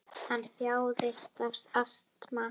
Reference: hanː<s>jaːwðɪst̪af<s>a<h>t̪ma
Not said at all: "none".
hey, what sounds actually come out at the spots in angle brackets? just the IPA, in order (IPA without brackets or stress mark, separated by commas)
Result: θ, s, s